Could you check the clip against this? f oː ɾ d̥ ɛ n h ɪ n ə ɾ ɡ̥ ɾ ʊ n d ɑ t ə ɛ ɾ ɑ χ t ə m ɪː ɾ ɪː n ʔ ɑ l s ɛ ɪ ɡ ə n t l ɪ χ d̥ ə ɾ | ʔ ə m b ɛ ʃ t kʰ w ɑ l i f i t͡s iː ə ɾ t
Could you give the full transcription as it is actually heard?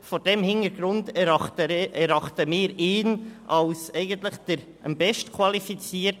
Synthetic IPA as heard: f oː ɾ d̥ ɛ m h ɪ n ə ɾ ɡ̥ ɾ ʊ n d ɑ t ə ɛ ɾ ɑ χ t ə m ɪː ɾ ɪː n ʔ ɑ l s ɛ ɪ ɡ ə n t l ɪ χ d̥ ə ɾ | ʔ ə m b ɛ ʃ t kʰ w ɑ l i f i t͡s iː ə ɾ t